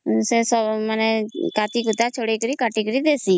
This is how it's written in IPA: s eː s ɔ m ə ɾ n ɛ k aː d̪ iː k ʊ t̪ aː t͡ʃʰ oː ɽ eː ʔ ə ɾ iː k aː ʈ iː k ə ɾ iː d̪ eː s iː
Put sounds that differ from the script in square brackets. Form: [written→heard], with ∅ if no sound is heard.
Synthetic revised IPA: s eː s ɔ m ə [ɾ→∅] n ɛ k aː [d̪→t̪] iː k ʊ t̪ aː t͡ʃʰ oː ɽ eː [ʔ→k] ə ɾ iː k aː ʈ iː k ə ɾ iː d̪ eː s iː